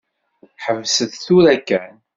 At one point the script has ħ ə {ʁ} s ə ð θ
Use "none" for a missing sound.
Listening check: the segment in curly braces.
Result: v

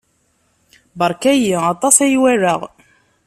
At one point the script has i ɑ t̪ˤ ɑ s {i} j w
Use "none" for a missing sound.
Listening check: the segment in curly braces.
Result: æ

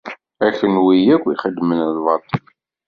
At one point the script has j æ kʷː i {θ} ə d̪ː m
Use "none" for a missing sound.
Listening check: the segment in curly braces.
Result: χ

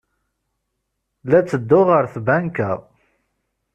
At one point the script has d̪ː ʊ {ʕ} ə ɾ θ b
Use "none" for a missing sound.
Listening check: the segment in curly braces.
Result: ʁ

